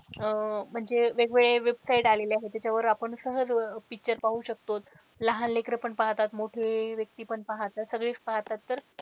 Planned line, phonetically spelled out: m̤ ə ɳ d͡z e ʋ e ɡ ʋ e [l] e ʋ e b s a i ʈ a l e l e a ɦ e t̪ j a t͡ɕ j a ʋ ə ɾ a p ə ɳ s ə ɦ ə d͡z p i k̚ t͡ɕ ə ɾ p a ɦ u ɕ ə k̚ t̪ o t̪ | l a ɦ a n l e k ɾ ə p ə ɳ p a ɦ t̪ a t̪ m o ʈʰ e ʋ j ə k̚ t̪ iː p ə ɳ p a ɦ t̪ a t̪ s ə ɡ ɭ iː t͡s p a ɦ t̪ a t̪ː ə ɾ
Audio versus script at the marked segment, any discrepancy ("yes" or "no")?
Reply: yes